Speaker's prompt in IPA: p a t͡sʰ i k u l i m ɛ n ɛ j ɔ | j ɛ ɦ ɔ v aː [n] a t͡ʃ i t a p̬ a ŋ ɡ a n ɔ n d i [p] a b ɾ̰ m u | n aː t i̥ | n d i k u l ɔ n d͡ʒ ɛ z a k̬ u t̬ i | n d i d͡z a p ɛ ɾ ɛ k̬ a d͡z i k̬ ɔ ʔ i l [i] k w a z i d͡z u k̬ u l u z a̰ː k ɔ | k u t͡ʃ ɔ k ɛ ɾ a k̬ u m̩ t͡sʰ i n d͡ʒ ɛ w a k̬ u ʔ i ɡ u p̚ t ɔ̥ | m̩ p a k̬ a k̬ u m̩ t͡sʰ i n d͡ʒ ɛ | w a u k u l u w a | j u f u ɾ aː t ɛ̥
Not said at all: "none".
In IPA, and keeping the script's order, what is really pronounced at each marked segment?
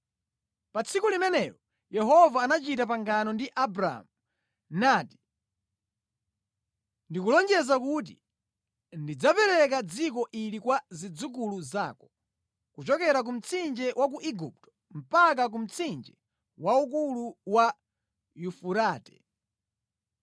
n, ʔ, i

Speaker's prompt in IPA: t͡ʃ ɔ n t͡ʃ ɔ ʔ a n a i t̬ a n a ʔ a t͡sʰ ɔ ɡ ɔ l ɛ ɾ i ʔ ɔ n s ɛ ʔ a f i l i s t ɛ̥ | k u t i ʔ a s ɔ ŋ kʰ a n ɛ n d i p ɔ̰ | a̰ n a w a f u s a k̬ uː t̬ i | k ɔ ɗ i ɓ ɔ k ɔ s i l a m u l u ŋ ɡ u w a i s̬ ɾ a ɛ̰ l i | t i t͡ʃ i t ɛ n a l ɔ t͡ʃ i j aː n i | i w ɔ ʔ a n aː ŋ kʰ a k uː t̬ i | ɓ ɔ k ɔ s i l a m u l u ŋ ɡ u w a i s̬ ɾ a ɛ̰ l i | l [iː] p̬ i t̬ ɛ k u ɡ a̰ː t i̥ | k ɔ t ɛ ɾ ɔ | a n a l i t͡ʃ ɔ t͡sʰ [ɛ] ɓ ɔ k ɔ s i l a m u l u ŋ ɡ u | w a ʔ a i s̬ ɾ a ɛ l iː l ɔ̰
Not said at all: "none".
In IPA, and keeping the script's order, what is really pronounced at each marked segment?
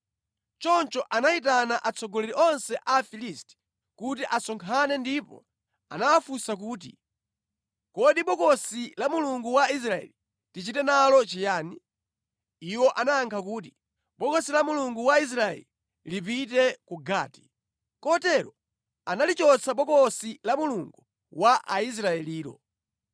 i, a

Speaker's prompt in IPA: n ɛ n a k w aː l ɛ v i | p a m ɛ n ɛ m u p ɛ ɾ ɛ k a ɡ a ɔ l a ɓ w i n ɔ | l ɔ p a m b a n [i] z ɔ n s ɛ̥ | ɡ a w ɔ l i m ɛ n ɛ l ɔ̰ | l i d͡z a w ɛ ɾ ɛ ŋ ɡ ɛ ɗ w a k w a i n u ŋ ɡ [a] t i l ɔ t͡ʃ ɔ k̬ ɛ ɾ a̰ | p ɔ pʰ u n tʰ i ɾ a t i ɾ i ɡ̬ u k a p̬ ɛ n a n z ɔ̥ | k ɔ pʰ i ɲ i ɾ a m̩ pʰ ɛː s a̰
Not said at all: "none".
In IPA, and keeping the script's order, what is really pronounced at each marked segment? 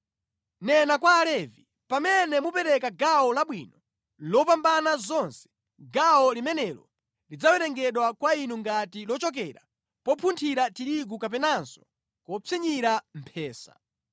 a, a

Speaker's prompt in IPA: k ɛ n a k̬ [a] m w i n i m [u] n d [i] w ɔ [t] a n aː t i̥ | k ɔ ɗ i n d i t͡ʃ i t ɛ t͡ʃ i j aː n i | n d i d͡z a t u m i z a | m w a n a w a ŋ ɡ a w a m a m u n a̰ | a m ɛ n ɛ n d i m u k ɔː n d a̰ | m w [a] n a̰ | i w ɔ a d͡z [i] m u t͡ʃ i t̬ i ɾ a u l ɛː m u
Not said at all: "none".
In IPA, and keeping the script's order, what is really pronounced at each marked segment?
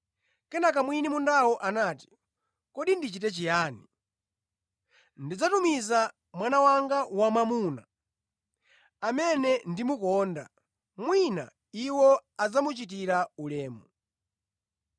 a, u, a, ʔ, i, a

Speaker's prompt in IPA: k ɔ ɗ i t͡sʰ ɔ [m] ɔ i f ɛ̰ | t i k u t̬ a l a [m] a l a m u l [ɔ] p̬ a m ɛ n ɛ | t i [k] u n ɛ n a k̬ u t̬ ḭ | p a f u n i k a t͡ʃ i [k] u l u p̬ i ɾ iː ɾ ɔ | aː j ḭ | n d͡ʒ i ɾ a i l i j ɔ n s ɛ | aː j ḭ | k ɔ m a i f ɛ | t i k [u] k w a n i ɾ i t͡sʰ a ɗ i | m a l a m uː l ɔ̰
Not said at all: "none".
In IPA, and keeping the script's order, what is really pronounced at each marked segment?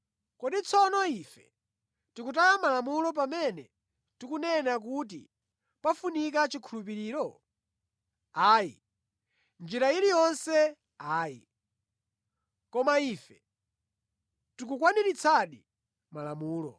n, m, ɔ, k, kʰ, u

